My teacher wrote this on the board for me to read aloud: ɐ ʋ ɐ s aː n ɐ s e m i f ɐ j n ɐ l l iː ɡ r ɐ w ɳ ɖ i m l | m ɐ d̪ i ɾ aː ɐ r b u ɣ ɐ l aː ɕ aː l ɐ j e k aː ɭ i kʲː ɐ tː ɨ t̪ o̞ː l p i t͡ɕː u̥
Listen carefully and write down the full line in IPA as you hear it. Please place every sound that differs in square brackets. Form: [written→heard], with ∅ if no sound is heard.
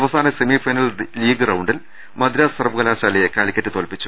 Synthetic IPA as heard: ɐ ʋ ɐ s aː n ɐ s e m i f ɐ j n ɐ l l iː ɡ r ɐ w ɳ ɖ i [m→∅] l | m ɐ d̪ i ɾ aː ɐ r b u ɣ ɐ l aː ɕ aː l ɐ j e k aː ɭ i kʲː ɐ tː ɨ t̪ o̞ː l p i t͡ɕː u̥